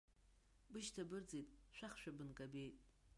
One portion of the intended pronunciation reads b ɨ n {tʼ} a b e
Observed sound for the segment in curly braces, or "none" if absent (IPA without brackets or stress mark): kʼ